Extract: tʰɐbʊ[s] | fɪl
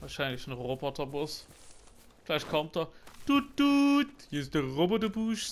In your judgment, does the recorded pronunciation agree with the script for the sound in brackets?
yes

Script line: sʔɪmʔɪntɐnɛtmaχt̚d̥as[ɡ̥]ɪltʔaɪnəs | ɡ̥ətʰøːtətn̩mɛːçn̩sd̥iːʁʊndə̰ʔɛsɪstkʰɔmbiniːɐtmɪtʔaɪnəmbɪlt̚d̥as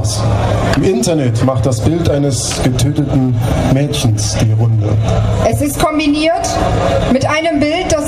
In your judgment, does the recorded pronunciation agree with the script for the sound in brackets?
no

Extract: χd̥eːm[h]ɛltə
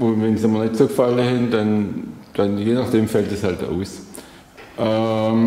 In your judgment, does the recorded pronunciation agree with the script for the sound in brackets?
no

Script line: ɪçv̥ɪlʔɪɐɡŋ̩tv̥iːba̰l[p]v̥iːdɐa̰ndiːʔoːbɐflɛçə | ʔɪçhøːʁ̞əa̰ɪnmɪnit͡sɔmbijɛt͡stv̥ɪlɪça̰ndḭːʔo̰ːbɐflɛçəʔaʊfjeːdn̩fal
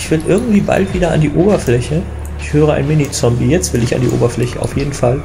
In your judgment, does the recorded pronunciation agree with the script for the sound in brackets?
no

